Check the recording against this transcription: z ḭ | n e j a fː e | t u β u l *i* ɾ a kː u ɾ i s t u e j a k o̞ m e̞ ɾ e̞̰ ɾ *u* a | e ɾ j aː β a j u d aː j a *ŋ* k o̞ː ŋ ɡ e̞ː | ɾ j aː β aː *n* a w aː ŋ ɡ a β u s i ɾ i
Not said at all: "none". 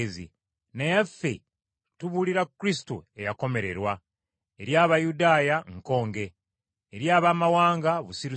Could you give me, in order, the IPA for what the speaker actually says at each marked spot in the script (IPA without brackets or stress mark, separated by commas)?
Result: i, w, ŋ, m